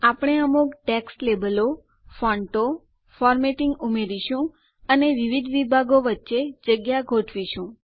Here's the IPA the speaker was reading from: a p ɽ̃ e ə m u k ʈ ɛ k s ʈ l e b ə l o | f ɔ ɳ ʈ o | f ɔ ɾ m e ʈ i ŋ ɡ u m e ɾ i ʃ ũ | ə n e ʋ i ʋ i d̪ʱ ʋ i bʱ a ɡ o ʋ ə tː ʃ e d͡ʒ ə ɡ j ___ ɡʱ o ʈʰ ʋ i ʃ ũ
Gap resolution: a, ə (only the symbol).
a